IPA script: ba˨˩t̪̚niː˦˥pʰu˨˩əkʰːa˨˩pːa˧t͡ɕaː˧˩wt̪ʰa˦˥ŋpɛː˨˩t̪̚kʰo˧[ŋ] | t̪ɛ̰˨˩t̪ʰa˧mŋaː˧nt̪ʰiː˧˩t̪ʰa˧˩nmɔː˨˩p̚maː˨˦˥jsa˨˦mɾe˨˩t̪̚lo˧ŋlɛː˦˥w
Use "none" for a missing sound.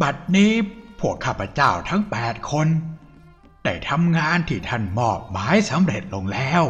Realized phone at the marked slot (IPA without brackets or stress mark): n